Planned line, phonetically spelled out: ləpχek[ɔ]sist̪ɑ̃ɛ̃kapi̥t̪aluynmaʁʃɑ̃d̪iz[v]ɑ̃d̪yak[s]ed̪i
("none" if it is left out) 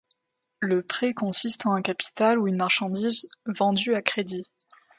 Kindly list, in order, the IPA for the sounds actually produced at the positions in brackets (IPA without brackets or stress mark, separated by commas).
ɔ̃, v, χ